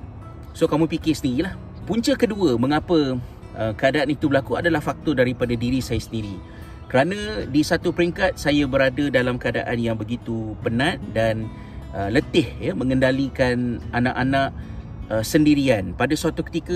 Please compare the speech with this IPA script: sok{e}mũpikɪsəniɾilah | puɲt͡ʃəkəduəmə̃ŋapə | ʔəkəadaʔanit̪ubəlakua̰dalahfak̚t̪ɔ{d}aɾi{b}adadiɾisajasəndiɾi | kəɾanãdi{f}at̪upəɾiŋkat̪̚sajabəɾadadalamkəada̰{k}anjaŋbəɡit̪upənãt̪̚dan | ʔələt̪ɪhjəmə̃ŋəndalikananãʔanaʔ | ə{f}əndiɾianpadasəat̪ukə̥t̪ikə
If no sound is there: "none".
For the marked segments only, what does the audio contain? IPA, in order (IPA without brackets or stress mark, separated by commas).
a, d, p, s, ʔ, s